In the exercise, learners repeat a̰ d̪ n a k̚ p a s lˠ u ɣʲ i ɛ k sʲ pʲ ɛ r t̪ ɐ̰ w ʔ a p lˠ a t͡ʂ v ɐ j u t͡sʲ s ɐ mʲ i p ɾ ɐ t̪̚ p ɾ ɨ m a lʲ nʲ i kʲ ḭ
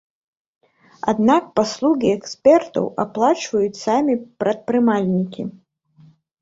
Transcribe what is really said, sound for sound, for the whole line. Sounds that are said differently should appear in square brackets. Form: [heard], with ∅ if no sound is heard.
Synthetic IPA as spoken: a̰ d̪ n a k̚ p a s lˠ u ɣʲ i ɛ k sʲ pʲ ɛ r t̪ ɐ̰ w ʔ a p lˠ a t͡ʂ v ɐ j u t͡sʲ s [a] mʲ i p ɾ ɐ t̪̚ p ɾ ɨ m a lʲ nʲ i kʲ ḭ